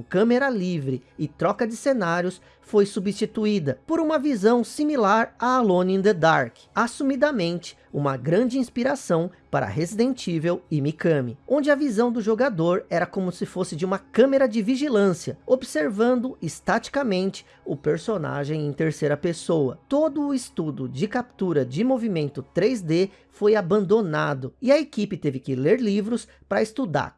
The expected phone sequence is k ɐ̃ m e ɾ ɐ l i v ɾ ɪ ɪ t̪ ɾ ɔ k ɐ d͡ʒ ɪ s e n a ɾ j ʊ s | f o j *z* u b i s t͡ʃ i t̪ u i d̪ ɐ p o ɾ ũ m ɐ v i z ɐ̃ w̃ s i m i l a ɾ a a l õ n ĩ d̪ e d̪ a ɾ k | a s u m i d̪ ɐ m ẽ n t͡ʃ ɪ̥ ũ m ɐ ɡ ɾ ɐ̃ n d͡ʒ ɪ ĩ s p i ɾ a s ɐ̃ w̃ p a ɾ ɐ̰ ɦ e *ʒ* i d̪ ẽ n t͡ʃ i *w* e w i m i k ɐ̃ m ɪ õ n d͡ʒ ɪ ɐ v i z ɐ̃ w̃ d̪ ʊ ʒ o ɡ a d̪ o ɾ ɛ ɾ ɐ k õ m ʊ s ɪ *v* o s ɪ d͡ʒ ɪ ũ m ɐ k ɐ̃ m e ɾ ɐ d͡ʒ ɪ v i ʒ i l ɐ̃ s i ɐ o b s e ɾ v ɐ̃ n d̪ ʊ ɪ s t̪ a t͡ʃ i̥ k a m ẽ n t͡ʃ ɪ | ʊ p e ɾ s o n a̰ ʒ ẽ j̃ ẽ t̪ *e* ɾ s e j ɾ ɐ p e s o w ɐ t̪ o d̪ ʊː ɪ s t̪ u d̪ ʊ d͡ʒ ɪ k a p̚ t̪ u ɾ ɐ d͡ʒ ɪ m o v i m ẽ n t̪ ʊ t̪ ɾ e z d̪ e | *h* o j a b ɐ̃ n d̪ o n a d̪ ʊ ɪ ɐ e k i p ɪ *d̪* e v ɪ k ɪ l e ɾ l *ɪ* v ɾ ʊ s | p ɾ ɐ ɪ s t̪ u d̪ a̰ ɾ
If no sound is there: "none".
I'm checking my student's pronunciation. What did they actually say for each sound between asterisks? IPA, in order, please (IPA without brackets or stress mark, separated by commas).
s, z, v, f, e, f, t̪, i